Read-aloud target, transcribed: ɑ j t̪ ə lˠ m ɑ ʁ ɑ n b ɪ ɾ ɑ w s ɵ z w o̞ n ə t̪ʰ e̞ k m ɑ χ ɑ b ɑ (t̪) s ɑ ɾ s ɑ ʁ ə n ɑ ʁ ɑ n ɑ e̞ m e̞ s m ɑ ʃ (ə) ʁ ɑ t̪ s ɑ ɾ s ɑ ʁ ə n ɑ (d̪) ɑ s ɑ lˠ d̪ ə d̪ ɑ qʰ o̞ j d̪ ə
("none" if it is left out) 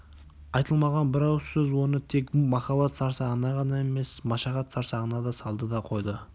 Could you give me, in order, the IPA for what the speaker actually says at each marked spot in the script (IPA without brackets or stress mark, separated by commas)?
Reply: t̪, ɑ, d̪